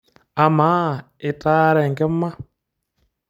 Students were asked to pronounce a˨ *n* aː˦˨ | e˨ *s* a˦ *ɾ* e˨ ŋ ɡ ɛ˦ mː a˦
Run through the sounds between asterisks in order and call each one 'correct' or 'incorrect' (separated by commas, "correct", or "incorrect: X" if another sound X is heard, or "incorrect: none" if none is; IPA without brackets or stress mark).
incorrect: m, incorrect: t, correct